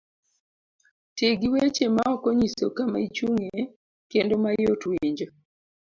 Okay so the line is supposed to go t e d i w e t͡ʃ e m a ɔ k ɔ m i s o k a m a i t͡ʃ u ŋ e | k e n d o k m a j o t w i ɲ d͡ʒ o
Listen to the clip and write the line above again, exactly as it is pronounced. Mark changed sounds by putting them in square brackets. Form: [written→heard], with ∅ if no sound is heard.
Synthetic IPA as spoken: t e [d→ɡ] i w e t͡ʃ e m a ɔ k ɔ [m→ɲ] i s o k a m a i t͡ʃ u ŋ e | k e n d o [k→∅] m a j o t w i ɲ d͡ʒ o